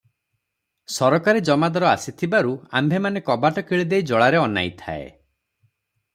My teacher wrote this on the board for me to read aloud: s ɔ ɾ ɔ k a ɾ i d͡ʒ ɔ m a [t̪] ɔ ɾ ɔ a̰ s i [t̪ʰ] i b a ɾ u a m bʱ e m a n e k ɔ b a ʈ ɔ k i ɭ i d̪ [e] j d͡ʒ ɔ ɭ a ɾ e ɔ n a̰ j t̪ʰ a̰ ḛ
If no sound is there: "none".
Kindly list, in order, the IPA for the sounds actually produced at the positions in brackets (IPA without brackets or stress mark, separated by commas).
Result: d̪, t̪ʰ, e